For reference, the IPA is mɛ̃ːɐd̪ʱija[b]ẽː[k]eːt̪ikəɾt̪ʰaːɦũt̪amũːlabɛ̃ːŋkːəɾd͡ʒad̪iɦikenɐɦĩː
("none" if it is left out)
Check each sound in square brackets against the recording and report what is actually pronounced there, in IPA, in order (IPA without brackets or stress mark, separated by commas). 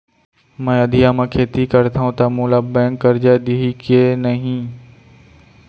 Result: m, kʰ